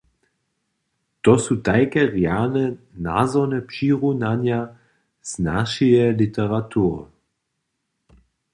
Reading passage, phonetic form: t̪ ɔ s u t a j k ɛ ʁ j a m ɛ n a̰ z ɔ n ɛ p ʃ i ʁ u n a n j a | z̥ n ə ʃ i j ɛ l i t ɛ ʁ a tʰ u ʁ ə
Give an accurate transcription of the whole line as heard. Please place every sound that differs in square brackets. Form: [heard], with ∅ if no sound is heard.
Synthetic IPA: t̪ ɔ s u t a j k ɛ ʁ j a [n] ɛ n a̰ z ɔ n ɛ p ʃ i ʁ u n a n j a | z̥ n [a] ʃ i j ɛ l i t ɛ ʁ a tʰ u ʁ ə